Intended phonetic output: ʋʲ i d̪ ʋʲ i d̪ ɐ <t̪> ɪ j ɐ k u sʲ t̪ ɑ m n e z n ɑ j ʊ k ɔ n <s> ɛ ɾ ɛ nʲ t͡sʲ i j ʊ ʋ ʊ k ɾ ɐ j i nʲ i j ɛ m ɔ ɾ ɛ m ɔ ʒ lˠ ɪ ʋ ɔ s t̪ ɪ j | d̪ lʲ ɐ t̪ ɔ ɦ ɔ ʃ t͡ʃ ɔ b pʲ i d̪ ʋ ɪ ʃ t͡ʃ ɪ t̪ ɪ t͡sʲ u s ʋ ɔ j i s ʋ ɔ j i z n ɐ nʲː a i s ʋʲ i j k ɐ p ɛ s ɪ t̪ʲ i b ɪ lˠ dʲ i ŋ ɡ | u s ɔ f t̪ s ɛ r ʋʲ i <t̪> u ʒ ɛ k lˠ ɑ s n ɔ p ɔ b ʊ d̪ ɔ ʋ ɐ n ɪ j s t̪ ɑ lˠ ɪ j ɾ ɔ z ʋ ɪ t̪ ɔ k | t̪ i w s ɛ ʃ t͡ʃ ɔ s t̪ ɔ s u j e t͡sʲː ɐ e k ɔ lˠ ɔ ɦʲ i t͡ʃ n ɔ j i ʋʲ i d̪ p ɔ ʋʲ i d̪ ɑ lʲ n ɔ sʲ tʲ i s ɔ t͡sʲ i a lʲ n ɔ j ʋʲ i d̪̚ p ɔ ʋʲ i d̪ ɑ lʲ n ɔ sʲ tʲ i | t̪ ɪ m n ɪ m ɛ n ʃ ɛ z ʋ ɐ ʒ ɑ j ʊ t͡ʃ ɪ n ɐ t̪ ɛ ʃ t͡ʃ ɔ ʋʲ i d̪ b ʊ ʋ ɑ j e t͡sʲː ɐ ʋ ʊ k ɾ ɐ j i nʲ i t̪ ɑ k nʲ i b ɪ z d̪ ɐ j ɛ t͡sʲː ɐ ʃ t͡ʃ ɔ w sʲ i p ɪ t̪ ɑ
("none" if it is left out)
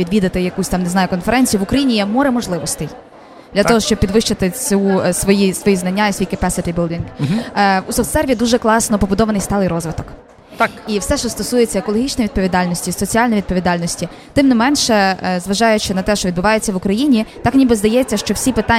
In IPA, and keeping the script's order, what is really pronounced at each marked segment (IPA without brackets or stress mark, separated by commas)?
t̪, f, d̪